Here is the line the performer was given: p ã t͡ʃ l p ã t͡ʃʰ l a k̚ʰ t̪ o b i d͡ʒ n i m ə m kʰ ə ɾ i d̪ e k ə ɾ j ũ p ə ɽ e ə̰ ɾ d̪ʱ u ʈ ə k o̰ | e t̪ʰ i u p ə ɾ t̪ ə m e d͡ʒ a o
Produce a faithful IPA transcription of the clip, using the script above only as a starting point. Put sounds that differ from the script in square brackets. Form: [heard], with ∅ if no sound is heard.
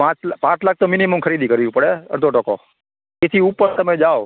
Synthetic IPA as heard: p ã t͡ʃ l p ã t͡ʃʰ l a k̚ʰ t̪ o [m] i [∅] n i m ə m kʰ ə ɾ i d̪ [i] k ə ɾ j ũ p ə ɽ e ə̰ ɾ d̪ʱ [o] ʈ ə k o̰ | e t̪ʰ i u p ə ɾ t̪ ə m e d͡ʒ a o